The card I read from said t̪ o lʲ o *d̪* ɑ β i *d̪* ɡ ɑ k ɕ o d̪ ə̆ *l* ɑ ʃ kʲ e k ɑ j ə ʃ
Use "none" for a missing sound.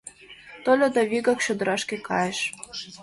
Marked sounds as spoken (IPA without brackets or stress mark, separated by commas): d̪, none, ɾ